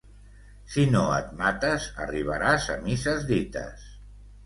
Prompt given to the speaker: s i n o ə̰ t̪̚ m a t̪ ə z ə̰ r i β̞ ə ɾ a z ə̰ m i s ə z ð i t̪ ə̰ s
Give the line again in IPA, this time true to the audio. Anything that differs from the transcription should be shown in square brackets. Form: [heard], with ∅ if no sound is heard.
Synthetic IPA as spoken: s i n o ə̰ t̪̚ m a t̪ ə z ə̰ r i β̞ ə ɾ a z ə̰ m i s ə z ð i t̪ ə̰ s